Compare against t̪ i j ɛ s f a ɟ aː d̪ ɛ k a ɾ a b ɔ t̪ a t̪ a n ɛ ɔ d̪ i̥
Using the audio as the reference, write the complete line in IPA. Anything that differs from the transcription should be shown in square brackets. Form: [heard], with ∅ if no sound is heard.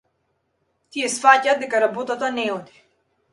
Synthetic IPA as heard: t̪ i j ɛ s f a [c] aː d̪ ɛ k a ɾ a b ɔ t̪ a t̪ a n ɛ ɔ d̪ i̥